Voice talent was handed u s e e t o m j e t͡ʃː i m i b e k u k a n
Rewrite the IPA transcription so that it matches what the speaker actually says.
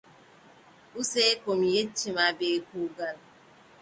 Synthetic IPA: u s e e k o m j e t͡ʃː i m a b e k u ɡ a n